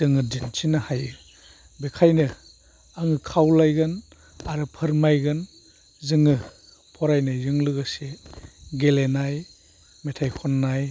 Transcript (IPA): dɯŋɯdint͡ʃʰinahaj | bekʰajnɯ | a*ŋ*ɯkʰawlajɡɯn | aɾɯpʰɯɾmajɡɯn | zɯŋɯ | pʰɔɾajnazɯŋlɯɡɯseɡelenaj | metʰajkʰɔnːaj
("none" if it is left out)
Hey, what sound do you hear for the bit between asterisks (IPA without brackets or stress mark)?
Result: ŋ